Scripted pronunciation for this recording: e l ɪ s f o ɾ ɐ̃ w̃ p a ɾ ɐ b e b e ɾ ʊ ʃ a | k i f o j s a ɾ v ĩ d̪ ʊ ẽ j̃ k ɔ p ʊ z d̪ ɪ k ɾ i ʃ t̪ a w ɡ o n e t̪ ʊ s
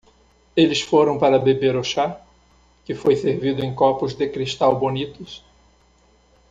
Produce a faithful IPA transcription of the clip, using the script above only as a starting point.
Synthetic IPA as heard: e l ɪ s f o ɾ ɐ̃ w̃ p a ɾ ɐ b e b e ɾ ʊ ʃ a | k ɪ f o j s e ɾ v i d̪ ʊ ẽ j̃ k ɔ p ʊ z d̪ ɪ k ɾ i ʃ t̪ a w b o n i t̪ ʊ s

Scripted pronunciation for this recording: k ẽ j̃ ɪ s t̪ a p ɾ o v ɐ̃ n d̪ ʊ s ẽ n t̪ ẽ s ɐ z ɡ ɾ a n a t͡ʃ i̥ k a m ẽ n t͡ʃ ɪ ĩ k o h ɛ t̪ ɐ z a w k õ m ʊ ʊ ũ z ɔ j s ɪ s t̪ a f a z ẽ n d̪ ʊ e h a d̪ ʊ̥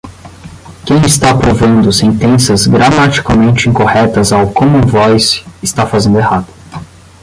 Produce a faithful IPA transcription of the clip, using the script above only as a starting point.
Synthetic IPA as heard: k ẽ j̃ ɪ s t̪ a p ɾ o v ɐ̃ n d̪ ʊ s ẽ n t̪ ẽ s ɐ z ɡ ɾ a m a t͡ʃ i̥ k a m ẽ n t͡ʃ ɪ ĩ k o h ɛ t̪ ɐ z a w k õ m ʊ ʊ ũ v ɔ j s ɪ s t̪ a f a z ẽ n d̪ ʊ e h a d̪ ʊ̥

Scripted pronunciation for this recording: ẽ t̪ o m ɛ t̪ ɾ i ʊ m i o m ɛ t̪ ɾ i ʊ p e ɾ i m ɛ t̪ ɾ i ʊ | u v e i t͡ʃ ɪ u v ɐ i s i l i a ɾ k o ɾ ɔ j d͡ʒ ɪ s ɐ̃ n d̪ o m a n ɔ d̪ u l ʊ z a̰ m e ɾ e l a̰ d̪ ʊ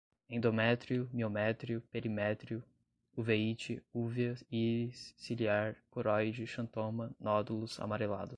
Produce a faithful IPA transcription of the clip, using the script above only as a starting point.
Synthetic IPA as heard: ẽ d̪ o m ɛ t̪ ɾ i ʊ m i o m ɛ t̪ ɾ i ʊ p e ɾ i m ɛ t̪ ɾ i ʊ | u v e i t͡ʃ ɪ u v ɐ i s i l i a ɾ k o ɾ ɔ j d͡ʒ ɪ ʃ ɐ̃ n t̪ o m ɐ n ɔ d̪ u l ʊ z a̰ m a ɾ e l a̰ d̪ ʊ

